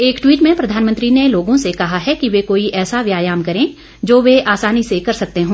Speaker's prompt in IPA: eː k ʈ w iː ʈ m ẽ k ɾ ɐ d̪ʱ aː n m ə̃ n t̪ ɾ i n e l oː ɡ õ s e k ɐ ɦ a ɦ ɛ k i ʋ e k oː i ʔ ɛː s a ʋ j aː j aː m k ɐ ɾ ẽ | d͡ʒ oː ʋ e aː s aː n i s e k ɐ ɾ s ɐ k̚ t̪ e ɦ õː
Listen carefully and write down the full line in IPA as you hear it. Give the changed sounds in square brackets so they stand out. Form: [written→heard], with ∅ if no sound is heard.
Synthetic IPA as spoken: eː k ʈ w iː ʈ m ẽ [k→p] ɾ ɐ d̪ʱ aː n m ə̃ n t̪ ɾ i n e l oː ɡ õ s e k ɐ ɦ a ɦ ɛ k i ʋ e k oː i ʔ ɛː s a ʋ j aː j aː m k ɐ ɾ ẽ | d͡ʒ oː ʋ e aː s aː n i s e k ɐ ɾ s ɐ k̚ t̪ e ɦ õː